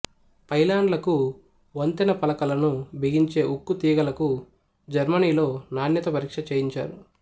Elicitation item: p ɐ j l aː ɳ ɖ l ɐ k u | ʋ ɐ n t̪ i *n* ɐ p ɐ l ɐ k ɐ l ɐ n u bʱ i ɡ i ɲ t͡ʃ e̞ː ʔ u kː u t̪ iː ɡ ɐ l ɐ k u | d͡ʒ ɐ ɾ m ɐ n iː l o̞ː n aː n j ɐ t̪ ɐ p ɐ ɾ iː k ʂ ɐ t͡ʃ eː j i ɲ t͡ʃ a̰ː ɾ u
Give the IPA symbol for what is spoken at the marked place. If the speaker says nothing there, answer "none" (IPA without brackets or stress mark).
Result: n